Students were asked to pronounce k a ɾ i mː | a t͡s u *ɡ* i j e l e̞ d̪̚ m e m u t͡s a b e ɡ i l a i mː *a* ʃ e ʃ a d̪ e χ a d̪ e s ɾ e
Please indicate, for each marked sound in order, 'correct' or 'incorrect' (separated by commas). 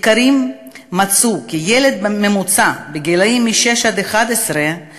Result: incorrect, incorrect